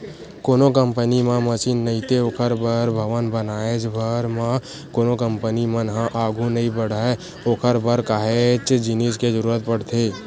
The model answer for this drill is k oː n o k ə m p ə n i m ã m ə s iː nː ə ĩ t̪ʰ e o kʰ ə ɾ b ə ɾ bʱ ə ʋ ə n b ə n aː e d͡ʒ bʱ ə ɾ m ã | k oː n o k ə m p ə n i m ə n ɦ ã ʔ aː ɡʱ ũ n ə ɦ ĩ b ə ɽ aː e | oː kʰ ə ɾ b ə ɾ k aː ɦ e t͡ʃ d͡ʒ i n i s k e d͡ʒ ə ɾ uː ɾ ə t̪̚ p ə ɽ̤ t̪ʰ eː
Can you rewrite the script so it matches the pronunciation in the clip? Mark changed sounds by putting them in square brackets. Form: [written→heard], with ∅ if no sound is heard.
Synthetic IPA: k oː n o k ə m p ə n i m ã m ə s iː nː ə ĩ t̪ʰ e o kʰ ə ɾ b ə ɾ bʱ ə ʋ ə n b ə n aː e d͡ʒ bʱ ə ɾ m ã | k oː n o k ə m p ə n i m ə n ɦ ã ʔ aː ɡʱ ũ n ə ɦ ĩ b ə ɽ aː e | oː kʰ ə ɾ b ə ɾ k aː ɦ e t͡ʃ d͡ʒ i n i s k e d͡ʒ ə ɾ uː ɾ ə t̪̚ p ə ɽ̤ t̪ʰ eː